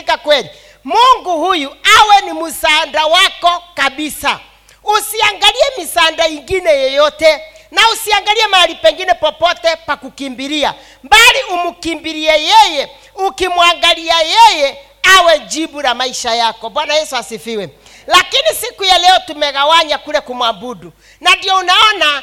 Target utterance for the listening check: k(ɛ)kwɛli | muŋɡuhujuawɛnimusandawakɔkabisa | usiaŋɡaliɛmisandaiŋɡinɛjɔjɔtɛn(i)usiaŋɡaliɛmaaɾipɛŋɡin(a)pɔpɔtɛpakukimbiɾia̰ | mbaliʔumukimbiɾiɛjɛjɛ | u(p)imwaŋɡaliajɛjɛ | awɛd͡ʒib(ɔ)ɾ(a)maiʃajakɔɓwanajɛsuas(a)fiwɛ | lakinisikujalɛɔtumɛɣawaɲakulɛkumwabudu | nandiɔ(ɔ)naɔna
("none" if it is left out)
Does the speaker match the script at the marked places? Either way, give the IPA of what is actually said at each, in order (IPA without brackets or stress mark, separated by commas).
a, a, ɛ, k, u, a, i, u